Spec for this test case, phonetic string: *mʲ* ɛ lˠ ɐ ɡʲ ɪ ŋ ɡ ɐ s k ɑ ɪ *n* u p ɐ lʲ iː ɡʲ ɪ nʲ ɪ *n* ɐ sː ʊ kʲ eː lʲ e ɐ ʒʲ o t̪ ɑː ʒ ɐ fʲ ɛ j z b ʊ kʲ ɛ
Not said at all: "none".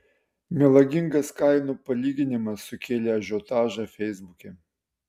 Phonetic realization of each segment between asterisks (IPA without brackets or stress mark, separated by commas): mʲ, n, m